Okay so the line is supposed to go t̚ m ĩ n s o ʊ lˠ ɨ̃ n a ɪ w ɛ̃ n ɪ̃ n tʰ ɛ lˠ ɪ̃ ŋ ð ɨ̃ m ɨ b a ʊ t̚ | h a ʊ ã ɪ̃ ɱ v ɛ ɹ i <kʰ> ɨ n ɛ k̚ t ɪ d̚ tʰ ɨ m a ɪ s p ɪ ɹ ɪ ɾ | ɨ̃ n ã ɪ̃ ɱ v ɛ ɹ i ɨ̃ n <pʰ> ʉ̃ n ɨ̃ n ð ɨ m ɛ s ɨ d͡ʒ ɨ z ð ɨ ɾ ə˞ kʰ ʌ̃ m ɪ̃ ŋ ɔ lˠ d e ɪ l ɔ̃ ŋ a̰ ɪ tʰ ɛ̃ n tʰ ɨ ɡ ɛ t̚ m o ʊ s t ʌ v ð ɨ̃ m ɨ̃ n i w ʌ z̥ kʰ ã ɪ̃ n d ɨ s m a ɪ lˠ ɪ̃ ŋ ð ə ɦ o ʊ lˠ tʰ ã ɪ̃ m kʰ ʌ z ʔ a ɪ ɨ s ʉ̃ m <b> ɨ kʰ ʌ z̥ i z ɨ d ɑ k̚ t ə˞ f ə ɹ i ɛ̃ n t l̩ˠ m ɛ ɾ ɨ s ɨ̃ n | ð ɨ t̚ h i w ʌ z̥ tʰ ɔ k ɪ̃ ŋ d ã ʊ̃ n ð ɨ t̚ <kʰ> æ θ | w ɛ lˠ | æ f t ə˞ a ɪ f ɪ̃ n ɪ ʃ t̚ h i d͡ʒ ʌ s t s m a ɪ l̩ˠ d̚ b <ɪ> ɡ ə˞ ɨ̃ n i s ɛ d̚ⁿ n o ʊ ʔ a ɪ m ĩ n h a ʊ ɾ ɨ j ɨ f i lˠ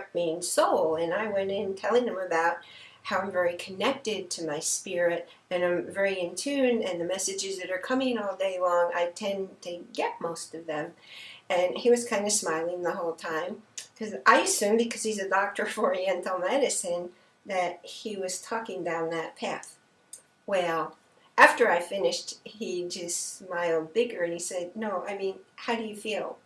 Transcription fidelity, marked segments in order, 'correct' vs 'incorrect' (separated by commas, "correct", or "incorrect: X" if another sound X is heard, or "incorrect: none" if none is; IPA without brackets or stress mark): correct, incorrect: tʰ, correct, incorrect: pʰ, correct